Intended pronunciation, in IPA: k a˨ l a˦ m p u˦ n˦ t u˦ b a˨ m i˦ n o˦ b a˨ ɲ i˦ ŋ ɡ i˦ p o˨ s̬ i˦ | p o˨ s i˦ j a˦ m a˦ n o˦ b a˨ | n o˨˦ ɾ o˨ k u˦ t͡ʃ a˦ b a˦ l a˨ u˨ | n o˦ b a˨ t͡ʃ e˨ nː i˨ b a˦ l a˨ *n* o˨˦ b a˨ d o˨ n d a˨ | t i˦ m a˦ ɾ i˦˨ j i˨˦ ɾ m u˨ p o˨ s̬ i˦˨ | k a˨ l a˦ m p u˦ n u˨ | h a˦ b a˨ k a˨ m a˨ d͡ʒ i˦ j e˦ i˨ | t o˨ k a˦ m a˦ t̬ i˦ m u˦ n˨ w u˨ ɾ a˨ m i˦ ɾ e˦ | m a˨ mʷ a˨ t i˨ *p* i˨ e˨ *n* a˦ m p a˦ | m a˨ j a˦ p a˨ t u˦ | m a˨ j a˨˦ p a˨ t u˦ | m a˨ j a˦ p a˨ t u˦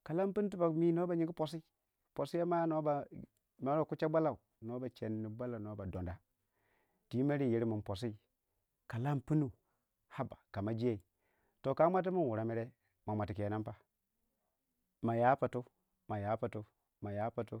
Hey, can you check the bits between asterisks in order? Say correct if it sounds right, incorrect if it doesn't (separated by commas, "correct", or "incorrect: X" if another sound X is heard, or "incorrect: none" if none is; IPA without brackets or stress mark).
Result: correct, incorrect: k, correct